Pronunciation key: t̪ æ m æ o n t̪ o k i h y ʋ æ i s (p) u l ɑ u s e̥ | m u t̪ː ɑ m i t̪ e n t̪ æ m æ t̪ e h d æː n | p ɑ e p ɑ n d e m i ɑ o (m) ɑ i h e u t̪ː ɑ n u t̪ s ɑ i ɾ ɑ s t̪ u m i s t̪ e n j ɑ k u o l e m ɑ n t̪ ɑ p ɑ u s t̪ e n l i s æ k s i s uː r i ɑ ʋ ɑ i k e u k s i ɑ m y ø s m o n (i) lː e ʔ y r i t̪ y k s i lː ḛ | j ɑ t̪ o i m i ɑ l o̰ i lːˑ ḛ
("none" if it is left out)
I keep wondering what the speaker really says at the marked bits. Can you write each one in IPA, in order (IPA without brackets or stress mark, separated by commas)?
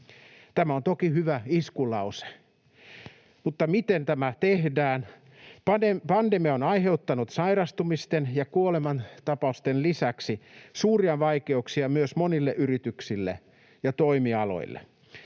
k, n, i